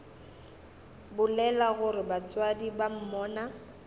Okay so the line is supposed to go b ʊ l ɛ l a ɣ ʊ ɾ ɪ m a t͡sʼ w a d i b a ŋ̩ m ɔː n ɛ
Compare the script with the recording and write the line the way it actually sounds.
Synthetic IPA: b ʊ l ɛ l a ɣ ʊ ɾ ɪ b a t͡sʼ w a d i b a m̩ m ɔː n a